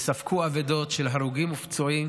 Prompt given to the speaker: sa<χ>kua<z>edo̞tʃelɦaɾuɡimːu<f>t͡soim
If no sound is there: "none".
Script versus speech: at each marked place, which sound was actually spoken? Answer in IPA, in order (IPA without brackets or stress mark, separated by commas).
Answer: f, v, f